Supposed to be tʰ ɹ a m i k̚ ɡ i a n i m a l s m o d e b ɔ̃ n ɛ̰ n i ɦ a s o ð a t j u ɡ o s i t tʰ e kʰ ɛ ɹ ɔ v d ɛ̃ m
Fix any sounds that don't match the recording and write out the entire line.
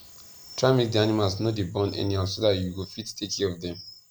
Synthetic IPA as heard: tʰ ɹ a m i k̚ d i a n i m a l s n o d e b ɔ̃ n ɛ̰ n i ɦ a s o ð a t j u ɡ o f i t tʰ e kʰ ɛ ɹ ɔ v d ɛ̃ m